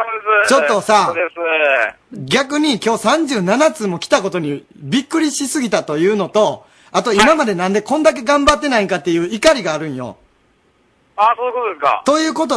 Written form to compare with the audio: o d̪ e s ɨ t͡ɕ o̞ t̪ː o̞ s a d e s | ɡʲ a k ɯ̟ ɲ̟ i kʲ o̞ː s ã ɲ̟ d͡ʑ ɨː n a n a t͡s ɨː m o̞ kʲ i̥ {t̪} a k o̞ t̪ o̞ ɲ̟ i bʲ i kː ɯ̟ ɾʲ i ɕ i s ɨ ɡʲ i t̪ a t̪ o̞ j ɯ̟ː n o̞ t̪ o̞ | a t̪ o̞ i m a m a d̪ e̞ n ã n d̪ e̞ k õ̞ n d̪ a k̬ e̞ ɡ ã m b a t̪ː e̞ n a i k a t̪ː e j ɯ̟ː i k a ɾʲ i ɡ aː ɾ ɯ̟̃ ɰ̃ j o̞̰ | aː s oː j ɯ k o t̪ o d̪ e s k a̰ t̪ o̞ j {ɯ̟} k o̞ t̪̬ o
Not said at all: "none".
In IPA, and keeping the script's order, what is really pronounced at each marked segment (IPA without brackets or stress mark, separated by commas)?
t̪, ɯ̟ː